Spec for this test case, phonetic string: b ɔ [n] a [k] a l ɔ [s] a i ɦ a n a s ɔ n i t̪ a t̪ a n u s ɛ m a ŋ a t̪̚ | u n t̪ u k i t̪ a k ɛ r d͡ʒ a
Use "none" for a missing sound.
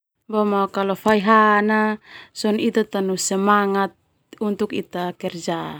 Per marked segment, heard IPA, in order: m, k, f

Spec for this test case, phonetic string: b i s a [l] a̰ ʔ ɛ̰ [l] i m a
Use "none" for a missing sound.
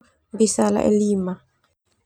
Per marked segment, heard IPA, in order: l, l

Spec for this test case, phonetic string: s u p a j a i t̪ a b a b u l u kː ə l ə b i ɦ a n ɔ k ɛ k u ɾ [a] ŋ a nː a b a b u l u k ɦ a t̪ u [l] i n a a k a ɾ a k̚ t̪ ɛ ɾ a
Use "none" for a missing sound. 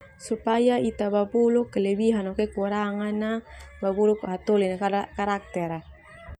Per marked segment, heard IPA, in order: a, l

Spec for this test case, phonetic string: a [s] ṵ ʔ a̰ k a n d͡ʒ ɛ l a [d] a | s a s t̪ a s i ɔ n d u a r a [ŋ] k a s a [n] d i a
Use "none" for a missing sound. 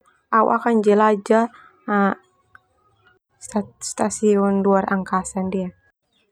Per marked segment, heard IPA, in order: none, d͡ʒ, ŋ, n

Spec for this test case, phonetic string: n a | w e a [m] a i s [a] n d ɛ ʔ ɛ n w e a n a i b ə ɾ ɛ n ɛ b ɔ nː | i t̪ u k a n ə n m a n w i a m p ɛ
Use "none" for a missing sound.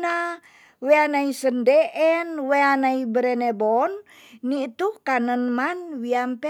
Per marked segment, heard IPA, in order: n, ə

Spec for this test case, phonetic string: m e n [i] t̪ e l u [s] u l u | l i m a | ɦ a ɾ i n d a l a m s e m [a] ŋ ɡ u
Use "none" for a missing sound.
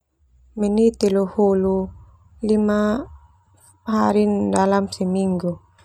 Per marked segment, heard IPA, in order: i, h, i

